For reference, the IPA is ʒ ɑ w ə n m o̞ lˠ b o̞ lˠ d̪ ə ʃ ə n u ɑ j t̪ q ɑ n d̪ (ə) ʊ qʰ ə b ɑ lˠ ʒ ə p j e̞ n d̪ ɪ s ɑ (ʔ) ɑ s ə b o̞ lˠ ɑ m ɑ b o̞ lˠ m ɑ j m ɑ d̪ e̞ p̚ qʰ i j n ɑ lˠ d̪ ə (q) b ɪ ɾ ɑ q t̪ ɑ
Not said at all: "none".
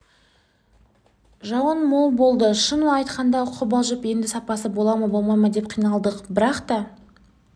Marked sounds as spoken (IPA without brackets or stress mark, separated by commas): ɑ, p, q